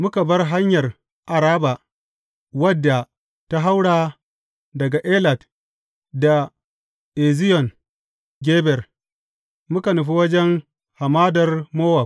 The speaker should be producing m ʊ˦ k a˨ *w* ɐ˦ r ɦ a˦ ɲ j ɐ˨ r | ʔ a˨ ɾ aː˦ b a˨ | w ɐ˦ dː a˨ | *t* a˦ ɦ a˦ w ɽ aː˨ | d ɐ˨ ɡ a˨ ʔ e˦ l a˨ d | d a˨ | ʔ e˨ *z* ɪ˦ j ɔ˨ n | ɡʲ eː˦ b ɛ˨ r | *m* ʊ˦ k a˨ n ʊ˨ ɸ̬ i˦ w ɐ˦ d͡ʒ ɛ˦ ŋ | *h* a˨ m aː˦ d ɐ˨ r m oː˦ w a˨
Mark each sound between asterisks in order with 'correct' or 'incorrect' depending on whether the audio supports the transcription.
incorrect: b, correct, correct, correct, correct

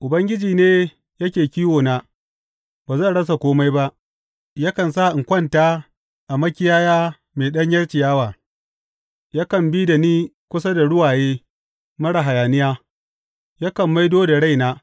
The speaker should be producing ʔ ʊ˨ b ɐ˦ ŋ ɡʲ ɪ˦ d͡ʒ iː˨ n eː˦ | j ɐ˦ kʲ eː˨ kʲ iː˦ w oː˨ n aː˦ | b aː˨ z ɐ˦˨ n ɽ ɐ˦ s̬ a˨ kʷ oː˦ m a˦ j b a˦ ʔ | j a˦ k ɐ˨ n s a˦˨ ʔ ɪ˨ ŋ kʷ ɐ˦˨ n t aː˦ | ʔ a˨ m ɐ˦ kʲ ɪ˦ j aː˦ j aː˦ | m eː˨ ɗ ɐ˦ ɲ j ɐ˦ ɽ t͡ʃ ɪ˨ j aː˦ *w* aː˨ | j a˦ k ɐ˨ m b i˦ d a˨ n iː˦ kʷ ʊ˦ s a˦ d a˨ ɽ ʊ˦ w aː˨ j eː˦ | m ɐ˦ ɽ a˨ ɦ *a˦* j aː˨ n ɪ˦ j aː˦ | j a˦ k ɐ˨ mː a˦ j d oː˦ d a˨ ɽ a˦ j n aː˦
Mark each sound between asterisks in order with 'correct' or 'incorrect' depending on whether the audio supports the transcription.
correct, incorrect: a˨

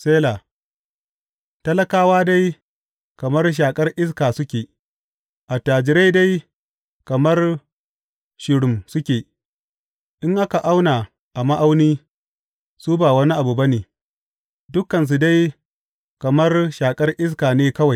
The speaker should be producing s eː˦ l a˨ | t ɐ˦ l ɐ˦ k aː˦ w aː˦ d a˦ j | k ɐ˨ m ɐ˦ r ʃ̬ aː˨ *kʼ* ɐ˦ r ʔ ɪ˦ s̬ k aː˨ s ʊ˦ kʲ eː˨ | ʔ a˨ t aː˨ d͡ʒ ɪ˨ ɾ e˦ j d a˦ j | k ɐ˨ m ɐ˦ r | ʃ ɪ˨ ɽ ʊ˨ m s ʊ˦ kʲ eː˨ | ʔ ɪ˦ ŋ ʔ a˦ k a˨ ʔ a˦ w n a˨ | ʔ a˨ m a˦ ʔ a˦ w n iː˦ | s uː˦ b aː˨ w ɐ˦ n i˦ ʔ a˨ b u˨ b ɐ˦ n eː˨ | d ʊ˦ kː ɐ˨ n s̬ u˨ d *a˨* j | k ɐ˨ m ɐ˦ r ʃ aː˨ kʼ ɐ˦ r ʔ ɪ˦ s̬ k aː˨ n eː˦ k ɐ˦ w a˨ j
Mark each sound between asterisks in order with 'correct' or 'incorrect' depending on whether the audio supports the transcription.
correct, incorrect: a˦

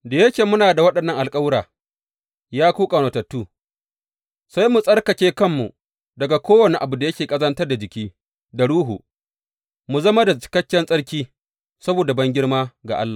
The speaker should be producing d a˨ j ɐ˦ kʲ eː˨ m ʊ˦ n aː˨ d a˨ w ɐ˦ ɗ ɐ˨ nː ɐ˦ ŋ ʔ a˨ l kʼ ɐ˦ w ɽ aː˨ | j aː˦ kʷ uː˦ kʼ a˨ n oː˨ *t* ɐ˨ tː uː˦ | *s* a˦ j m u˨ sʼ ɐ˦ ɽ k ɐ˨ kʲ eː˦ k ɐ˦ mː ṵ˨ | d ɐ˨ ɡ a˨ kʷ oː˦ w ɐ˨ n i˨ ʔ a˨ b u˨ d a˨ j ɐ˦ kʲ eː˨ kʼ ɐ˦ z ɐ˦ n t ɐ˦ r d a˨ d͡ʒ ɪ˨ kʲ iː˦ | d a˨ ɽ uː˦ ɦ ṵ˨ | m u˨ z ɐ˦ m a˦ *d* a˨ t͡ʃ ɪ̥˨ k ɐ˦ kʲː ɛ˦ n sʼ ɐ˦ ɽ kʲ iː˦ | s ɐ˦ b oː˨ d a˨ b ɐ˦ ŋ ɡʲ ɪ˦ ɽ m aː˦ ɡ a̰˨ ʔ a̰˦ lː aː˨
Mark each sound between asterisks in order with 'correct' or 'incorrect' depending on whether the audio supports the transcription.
correct, correct, correct

